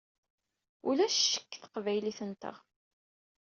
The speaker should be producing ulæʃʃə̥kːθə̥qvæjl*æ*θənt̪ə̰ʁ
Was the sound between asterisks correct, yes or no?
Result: no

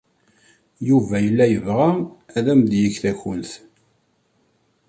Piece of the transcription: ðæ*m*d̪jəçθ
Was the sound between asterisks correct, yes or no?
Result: yes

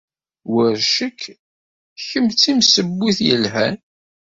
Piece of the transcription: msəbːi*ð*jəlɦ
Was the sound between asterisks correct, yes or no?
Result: no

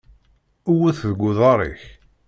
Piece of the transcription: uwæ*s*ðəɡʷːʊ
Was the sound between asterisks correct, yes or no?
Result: no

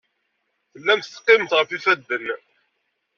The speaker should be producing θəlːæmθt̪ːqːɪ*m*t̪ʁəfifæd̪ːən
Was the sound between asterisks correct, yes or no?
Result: yes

